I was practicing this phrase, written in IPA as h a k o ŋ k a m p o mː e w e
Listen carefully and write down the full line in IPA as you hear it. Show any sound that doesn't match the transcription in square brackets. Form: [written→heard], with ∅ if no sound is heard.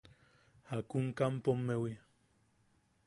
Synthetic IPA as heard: h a k [o→u] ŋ k a m p o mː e w [e→i]